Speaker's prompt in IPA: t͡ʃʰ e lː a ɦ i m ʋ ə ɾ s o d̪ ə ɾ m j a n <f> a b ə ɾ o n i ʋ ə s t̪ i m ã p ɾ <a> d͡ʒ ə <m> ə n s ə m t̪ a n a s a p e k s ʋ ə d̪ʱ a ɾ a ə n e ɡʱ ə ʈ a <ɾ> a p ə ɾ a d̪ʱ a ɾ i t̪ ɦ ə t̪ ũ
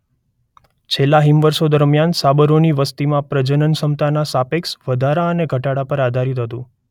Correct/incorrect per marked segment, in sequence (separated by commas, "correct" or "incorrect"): incorrect, incorrect, incorrect, incorrect